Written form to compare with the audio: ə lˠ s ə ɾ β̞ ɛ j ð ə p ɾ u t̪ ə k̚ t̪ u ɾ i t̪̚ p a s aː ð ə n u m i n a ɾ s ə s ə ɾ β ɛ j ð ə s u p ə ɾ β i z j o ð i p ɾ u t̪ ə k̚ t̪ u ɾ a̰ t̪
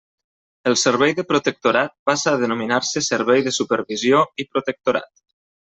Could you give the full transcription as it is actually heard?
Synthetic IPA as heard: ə lˠ s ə ɾ β̞ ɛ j ð ə p ɾ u t̪ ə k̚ t̪ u ɾ a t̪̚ p a s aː ð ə n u m i n a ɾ s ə s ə ɾ β ɛ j ð ə s u p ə ɾ β i z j o i p ɾ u t̪ ə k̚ t̪ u ɾ a̰ t̪